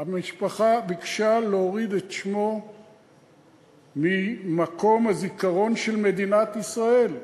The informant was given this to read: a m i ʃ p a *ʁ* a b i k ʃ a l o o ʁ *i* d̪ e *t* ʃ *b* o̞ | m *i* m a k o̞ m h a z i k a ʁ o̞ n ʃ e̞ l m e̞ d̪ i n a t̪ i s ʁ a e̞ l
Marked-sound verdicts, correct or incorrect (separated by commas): incorrect, correct, correct, incorrect, correct